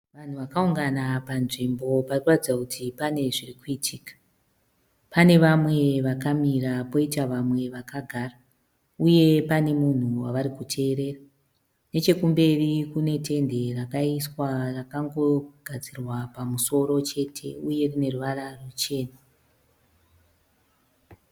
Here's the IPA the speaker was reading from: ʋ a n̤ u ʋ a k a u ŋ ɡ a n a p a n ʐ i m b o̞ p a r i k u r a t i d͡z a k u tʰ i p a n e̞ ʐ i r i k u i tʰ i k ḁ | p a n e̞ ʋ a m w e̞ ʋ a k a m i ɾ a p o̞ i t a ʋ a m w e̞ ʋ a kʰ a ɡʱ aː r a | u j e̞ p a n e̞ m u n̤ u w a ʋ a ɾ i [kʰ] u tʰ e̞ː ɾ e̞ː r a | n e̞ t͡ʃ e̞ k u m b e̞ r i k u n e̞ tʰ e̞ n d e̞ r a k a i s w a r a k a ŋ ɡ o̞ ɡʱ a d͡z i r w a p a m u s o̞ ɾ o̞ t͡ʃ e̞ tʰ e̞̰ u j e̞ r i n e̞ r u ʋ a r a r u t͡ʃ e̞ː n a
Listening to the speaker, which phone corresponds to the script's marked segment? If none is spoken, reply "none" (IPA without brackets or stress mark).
k